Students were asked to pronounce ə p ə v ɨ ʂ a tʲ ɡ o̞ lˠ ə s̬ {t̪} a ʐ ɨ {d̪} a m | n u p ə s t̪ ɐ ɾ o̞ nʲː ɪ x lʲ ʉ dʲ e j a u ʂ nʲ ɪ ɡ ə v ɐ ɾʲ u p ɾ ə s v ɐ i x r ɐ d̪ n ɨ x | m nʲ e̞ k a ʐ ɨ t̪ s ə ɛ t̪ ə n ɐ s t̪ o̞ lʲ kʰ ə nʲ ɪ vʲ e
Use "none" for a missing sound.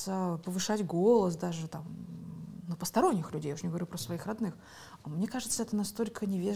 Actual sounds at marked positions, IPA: d̪, t̪

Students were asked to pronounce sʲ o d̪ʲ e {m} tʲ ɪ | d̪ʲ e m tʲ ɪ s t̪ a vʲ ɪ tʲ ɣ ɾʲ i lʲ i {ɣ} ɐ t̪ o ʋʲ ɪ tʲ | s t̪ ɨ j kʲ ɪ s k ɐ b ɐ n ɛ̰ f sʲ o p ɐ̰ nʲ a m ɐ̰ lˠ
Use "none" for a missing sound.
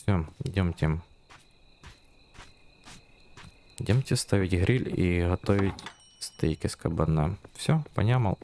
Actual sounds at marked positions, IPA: m, ɣ

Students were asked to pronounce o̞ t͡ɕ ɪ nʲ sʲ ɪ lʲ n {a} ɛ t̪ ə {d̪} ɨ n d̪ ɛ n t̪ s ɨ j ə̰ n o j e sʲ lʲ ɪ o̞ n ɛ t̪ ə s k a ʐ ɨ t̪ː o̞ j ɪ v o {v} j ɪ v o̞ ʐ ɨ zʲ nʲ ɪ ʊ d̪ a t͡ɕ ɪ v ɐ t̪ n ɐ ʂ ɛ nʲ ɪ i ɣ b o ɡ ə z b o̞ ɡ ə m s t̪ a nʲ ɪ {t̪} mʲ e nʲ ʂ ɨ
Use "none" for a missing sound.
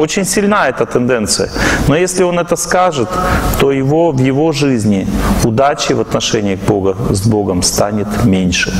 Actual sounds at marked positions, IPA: a, t̪, v, t̪

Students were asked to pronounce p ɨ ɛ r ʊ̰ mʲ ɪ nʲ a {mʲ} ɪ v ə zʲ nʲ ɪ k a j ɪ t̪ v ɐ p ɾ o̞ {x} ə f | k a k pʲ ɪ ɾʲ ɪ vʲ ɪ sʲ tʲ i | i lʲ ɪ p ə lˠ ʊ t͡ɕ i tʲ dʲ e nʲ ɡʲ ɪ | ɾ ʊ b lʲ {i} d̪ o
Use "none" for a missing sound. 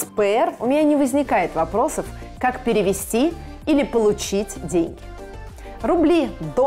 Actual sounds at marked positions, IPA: nʲ, s, i

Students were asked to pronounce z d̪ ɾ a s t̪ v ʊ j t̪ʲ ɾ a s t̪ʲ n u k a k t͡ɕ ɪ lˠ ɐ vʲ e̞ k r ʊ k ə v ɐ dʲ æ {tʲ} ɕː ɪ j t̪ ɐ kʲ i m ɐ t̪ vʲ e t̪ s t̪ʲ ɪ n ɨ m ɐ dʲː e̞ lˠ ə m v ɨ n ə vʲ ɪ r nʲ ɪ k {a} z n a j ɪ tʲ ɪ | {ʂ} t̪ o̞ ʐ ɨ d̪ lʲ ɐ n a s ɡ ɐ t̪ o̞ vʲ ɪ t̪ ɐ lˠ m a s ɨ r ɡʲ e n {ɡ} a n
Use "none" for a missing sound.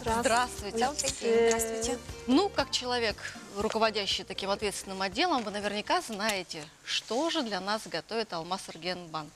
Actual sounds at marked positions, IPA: none, a, ʂ, b

